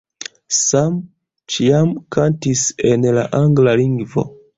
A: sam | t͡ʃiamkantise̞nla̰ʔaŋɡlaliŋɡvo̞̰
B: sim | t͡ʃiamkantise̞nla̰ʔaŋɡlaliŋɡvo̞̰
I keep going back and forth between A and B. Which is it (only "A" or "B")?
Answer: A